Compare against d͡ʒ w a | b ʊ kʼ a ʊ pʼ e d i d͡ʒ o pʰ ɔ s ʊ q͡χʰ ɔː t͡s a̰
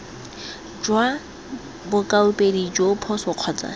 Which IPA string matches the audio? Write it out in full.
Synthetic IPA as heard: d͡ʒ w a | b ʊ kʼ a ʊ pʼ e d i d͡ʒ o pʰ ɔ s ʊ q͡χʰ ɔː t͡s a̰